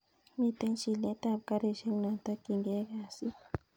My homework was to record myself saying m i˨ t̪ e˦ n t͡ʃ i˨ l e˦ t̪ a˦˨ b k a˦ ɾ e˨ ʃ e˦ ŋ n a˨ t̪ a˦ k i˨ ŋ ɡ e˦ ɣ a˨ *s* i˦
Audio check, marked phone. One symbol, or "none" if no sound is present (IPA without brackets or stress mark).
s